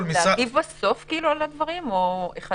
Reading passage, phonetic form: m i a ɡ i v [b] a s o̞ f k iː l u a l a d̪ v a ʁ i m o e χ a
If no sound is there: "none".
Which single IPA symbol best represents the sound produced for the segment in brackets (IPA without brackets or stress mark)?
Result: b